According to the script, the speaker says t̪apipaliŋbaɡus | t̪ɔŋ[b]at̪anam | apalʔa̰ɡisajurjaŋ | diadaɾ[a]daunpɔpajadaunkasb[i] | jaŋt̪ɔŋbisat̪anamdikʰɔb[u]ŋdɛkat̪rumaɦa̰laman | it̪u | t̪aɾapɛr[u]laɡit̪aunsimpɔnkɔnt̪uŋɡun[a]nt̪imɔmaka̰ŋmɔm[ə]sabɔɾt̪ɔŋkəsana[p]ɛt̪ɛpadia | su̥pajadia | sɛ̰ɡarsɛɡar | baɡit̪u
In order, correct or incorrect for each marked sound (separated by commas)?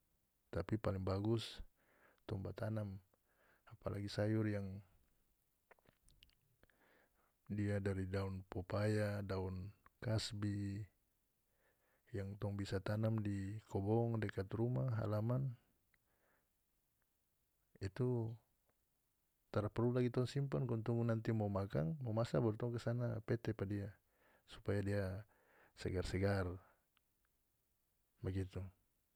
correct, incorrect, correct, incorrect, correct, correct, incorrect, correct